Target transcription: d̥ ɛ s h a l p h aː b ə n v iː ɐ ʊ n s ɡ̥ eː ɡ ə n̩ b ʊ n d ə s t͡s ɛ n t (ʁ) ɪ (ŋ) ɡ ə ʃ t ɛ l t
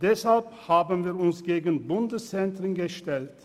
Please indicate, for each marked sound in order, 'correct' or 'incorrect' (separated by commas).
correct, incorrect